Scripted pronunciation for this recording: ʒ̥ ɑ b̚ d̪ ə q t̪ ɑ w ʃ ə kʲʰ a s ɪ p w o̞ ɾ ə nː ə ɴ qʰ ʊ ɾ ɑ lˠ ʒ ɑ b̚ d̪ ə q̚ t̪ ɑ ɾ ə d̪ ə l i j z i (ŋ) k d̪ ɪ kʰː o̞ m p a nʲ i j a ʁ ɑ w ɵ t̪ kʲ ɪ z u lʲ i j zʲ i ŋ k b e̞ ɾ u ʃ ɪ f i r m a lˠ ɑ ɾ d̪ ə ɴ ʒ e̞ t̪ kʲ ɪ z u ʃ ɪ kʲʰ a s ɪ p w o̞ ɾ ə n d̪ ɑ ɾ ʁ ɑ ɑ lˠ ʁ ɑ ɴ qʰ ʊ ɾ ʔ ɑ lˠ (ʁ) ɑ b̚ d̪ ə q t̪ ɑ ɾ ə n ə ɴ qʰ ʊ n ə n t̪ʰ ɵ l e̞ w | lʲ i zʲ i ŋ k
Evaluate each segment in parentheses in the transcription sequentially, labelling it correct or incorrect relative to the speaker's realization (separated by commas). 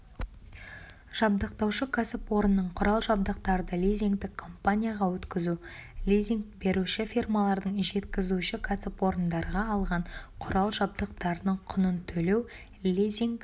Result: correct, incorrect